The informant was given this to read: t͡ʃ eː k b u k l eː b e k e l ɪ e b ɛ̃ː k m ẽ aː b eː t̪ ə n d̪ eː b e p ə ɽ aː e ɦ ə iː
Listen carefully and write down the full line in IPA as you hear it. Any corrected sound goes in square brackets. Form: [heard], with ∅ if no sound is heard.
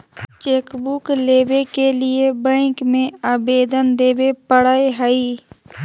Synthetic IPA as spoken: t͡ʃ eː k b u k l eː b e k e l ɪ e b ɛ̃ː k m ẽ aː b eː [d̪] ə n d̪ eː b e p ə ɽ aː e ɦ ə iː